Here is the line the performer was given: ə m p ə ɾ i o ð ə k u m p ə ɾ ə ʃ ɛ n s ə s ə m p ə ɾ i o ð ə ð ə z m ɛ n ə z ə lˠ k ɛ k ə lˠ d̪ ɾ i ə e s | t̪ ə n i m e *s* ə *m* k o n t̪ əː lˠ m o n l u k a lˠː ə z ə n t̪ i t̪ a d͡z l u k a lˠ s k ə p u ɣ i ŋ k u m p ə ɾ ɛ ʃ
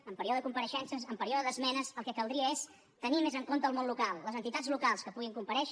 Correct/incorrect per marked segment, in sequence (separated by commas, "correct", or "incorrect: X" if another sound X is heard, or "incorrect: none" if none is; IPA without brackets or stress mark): incorrect: z, incorrect: ŋ